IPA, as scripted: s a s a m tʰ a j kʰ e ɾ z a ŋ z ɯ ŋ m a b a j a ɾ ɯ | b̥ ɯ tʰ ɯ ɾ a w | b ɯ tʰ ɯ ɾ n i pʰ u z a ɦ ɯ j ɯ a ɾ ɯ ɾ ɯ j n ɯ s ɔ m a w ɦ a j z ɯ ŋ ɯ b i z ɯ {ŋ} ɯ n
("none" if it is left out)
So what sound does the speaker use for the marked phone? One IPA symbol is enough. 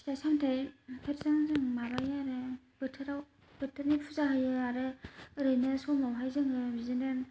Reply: n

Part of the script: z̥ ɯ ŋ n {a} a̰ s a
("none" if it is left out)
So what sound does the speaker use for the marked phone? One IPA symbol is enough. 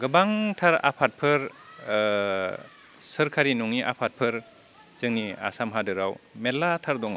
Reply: i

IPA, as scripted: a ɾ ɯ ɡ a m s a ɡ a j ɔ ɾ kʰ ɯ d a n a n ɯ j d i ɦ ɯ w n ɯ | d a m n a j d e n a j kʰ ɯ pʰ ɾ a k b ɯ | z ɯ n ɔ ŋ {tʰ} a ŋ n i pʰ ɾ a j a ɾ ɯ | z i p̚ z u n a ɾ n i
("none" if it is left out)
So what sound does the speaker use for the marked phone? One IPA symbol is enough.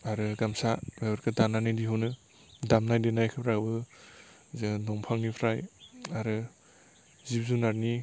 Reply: pʰ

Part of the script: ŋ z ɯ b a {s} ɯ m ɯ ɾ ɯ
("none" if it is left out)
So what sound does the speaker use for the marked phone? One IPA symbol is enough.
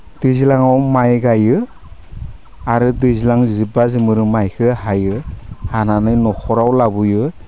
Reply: z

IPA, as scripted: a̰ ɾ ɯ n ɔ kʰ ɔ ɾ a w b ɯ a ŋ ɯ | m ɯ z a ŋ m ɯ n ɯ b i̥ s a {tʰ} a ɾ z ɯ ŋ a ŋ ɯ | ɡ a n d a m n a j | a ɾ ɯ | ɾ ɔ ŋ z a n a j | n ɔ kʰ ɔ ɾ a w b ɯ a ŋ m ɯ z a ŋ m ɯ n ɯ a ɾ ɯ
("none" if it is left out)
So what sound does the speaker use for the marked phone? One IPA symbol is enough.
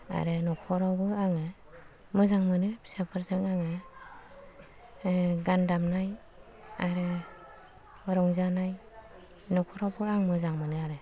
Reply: pʰ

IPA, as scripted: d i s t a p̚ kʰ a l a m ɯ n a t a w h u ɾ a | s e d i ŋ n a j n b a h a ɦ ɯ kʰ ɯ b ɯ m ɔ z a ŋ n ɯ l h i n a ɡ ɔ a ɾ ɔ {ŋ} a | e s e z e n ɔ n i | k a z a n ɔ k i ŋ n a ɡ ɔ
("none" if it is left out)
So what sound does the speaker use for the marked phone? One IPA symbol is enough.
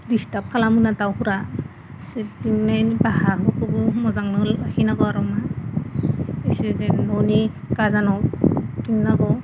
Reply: m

